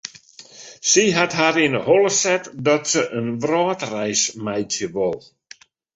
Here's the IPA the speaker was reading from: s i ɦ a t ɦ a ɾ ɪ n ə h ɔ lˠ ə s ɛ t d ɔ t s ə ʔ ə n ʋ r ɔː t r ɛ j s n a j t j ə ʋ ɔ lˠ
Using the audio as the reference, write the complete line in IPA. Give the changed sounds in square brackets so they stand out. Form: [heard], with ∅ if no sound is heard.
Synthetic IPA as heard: s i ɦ a t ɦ a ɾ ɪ n ə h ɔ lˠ ə s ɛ t d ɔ t s ə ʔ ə n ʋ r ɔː t r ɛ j s [m] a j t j ə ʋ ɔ lˠ

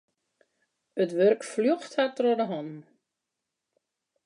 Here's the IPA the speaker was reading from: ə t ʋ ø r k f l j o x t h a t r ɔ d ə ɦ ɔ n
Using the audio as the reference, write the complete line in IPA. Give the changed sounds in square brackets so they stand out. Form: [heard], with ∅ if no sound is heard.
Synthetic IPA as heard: ə t ʋ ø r k f l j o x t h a t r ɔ d ə ɦ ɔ n

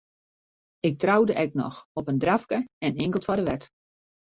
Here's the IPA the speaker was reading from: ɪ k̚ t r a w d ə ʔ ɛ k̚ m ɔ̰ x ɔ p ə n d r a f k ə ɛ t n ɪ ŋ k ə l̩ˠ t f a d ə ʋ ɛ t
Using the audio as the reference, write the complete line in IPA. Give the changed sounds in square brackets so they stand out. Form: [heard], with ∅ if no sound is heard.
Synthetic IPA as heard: ɪ k̚ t r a w d ə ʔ ɛ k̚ [n] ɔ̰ x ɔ p ə n d r a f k ə ɛ [∅] n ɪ ŋ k ə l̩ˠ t f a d ə ʋ ɛ t

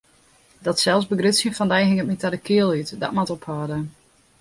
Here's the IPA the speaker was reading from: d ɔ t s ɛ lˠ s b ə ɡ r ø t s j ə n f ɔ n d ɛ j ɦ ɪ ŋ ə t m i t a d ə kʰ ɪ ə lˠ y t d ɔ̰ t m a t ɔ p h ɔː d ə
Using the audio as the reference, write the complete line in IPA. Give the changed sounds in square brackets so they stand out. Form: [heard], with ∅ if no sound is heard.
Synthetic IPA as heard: d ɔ t s ɛ lˠ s b ə ɡ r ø t s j ə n f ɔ n d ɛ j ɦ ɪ ŋ ə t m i t a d ə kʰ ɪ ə lˠ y t d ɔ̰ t m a t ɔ p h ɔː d ə

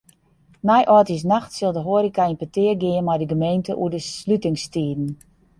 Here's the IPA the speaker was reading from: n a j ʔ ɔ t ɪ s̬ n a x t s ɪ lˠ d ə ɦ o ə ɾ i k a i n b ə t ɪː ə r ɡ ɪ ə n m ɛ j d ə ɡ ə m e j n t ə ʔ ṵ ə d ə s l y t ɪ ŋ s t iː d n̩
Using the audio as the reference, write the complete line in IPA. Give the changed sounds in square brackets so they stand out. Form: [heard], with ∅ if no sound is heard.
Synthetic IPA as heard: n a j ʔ ɔ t [i] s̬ n a x t s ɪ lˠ d ə ɦ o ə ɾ i k a i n [p] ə t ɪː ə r ɡ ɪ ə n m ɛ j d ə ɡ ə m e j n t ə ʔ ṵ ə d ə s l y t ɪ ŋ s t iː d n̩

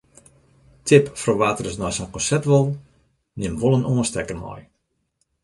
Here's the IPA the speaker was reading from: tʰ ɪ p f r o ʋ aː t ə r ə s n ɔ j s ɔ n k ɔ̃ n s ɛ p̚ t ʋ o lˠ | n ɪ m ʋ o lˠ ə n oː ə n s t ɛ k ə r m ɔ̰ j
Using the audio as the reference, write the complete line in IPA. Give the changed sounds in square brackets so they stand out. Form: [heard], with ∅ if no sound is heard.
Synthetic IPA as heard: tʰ ɪ p f r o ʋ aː t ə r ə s n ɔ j s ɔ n k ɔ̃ n s ɛ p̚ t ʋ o lˠ | n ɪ m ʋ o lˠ ə n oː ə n s t ɛ k ə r m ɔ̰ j

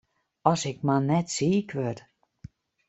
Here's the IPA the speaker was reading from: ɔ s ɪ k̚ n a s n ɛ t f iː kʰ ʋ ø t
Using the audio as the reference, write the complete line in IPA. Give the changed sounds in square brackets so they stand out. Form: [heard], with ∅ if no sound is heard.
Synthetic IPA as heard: ɔ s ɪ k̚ [m] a [∅] n ɛ t [s] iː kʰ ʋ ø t

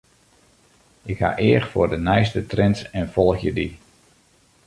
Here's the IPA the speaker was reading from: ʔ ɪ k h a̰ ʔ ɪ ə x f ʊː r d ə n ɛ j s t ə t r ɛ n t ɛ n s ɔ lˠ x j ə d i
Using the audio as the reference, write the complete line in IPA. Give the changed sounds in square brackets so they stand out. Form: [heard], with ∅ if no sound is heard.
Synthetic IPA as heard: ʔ ɪ k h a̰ ʔ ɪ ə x f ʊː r d ə n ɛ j s t ə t r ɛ n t ɛ n [f] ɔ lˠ x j ə d i

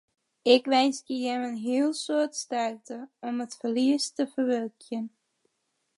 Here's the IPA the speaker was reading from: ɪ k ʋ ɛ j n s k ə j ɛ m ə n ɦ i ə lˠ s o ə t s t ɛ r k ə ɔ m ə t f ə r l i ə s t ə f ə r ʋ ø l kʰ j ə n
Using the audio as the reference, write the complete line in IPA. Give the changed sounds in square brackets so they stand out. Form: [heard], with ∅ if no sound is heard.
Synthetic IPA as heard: ɪ k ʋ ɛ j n s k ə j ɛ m ə n ɦ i ə lˠ s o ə t s t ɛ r [t] ə ɔ m ə t f ə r l i ə s t ə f ə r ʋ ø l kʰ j ə n

